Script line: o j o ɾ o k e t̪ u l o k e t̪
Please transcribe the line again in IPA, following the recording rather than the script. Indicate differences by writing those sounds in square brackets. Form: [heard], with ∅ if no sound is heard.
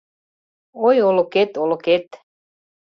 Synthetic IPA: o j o [l] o k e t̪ [o] l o k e t̪